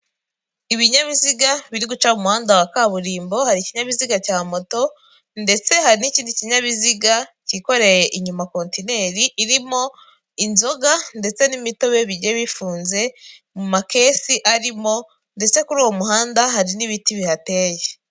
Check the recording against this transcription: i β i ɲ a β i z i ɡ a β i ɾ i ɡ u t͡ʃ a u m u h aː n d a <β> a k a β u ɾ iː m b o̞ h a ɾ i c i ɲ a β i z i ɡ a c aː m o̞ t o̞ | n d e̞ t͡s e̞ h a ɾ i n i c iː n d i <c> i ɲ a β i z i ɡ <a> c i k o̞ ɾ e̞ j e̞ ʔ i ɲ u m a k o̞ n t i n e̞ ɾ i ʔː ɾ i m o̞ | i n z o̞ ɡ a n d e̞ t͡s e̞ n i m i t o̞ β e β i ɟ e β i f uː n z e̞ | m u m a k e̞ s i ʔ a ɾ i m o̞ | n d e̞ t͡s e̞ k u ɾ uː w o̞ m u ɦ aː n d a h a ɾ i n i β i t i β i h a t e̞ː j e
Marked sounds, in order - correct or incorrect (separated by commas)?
incorrect, correct, correct